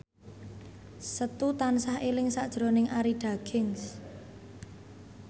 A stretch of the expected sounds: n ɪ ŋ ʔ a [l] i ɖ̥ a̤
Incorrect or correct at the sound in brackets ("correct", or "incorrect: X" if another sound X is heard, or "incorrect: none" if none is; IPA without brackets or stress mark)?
incorrect: ɾ